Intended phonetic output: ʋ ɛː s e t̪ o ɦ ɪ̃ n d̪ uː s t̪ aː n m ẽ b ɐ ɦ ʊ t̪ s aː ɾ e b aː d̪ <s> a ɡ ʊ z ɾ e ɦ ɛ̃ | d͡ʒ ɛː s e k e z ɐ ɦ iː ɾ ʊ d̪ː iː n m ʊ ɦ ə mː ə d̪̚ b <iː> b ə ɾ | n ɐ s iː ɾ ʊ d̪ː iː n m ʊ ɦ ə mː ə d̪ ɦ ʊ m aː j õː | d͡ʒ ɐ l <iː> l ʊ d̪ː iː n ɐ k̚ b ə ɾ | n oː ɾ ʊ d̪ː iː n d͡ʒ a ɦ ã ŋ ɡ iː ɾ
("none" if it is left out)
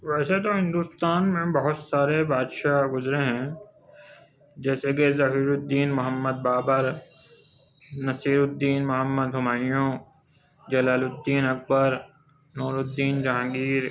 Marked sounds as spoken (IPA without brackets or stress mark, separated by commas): ʃ, aː, aː